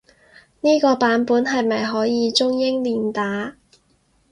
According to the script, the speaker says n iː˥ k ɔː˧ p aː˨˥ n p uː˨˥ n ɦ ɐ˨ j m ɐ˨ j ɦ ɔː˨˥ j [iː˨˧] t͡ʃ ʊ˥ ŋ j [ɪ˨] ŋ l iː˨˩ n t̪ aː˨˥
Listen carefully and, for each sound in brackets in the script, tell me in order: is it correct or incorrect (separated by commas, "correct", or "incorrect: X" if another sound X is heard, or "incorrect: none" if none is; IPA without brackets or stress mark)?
correct, incorrect: ɪ˥